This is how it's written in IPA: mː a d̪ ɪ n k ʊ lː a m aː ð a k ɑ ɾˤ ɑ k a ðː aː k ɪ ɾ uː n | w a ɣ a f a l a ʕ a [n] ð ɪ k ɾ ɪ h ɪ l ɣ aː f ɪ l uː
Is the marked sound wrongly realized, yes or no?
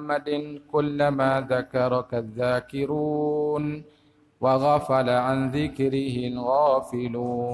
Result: no